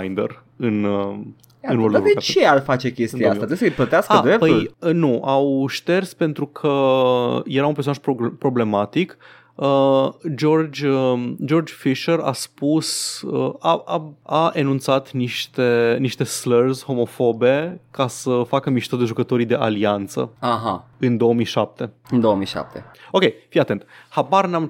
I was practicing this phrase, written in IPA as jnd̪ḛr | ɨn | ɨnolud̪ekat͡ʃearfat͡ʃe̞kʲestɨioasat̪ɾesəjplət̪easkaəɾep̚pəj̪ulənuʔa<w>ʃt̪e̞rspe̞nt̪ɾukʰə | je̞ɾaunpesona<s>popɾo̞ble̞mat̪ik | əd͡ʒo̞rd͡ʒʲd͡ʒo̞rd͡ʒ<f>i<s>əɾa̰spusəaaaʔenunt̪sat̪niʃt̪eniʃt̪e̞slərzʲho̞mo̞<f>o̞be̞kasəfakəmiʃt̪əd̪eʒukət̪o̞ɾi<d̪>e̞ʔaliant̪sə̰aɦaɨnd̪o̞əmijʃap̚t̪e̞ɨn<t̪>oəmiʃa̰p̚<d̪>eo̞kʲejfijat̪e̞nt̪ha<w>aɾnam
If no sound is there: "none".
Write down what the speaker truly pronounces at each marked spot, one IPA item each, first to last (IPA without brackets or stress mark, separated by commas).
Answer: w, ʃ, f, ʃ, f, d̪, d̪, t̪, b